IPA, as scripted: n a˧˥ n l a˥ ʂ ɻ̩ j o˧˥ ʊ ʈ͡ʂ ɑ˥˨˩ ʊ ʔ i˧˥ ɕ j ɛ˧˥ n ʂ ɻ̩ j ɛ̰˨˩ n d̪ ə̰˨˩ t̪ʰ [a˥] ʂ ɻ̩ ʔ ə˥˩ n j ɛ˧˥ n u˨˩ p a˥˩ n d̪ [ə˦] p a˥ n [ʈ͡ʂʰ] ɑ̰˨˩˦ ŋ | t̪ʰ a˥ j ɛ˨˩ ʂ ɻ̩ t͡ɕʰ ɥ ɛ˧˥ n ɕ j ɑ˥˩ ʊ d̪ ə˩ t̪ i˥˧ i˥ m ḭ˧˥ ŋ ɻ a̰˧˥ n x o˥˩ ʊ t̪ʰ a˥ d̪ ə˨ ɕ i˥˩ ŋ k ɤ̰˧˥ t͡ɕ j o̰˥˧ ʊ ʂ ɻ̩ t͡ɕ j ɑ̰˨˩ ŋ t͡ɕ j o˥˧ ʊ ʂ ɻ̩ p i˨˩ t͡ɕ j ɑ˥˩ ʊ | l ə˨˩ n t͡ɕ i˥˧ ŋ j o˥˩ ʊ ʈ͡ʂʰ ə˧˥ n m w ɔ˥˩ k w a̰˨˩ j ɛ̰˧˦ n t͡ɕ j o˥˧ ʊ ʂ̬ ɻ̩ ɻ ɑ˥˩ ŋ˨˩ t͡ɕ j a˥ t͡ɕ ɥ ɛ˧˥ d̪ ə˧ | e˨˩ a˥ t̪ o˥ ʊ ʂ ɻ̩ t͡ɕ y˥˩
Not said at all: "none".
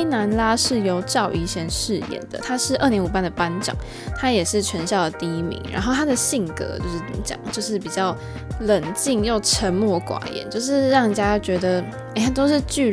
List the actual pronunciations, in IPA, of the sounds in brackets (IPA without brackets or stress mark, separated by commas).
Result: a˥, ə˩, ʈ͡ʂ